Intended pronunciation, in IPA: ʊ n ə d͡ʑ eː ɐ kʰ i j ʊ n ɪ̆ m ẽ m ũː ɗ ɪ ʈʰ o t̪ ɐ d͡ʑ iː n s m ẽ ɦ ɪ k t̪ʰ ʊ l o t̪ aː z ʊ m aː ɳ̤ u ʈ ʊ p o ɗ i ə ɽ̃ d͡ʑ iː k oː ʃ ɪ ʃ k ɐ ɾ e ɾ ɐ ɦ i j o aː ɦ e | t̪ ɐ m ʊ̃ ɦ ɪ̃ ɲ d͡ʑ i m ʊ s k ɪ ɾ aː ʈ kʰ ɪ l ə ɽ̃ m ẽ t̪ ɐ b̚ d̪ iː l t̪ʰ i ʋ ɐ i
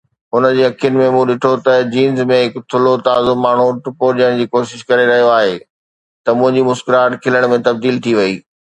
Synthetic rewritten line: ʊ n ə d͡ʑ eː ɐ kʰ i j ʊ n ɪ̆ m ẽ m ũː ɗ ɪ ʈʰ o t̪ ɐ d͡ʑ iː n z m ẽ ɦ ɪ k t̪ʰ ʊ l o t̪ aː z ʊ m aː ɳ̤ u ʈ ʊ p o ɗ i ə ɽ̃ d͡ʑ iː k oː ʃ ɪ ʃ k ɐ ɾ e ɾ ɐ ɦ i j o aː ɦ e | t̪ ɐ m ʊ̃ ɦ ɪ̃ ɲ d͡ʑ i m ʊ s k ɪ ɾ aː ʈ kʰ ɪ l ə ɽ̃ m ẽ t̪ ɐ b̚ d̪ iː l t̪ʰ i ʋ ɐ iː

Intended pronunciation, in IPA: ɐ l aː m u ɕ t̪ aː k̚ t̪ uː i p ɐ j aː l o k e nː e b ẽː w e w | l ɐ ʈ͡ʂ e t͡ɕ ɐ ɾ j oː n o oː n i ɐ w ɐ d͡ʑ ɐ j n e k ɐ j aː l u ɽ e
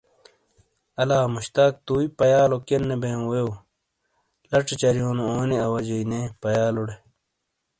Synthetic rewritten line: ɐ l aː m u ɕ t̪ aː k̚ t̪ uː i p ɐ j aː l o k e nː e b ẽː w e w | l ɐ ʈ͡ʂ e t͡ɕ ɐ ɾ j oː n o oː n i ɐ w ɐ d͡ʑ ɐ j n e p ɐ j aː l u ɽ e

